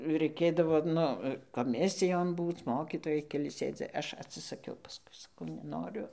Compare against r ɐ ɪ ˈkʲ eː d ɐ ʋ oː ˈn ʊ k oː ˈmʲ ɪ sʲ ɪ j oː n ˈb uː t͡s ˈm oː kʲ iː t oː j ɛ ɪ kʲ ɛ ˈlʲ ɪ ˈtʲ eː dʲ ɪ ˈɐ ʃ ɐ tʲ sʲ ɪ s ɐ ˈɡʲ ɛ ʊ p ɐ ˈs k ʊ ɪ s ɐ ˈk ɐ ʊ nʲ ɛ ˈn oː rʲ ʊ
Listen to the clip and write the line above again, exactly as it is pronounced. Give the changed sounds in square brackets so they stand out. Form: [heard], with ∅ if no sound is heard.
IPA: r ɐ ɪ ˈkʲ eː d ɐ ʋ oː ˈn ʊ k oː ˈmʲ ɪ sʲ ɪ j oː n ˈb uː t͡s ˈm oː kʲ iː t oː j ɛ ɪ kʲ ɛ ˈlʲ ɪ [ˈsʲ] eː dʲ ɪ ˈɐ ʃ ɐ tʲ sʲ ɪ s ɐ [ˈkʲ] ɛ ʊ p ɐ ˈs k ʊ ɪ s ɐ ˈk ɐ ʊ nʲ ɛ ˈn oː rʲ ʊ